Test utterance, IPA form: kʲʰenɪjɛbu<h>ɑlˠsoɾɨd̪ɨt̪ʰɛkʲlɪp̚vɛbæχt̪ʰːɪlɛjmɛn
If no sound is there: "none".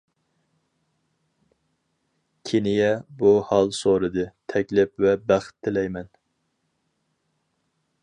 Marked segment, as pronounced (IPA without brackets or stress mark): h